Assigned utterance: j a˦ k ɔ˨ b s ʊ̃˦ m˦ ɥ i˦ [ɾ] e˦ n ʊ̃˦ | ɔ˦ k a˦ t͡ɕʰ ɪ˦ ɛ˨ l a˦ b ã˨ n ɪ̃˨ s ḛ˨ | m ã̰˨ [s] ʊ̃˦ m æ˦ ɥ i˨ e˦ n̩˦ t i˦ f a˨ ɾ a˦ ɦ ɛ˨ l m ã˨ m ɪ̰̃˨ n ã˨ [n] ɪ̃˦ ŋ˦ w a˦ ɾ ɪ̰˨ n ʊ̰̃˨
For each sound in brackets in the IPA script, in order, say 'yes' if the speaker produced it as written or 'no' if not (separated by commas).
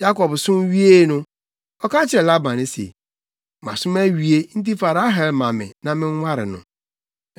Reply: no, yes, no